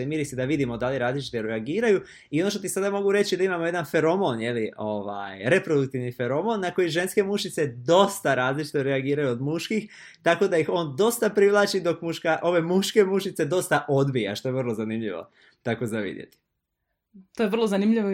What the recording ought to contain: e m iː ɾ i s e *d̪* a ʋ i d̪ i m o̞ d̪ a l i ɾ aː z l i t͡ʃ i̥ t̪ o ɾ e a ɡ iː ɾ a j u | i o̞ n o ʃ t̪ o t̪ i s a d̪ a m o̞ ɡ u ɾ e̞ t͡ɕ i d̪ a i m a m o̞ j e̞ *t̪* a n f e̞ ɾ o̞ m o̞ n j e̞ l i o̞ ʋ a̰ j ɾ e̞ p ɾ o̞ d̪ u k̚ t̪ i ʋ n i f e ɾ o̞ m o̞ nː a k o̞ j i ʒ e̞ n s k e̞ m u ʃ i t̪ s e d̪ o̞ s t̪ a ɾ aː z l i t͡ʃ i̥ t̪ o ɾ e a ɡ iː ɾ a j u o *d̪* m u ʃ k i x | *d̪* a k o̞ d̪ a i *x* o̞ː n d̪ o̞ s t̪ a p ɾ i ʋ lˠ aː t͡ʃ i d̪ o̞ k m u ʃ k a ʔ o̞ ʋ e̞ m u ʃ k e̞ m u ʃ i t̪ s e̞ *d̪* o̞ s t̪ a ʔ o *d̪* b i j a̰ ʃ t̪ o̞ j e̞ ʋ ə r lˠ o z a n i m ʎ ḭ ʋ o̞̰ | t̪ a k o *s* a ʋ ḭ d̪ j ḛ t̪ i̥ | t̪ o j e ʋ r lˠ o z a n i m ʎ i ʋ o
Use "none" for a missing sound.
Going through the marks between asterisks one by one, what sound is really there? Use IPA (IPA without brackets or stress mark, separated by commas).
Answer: d̪, d̪, d̪, t̪, x, d̪, d̪, z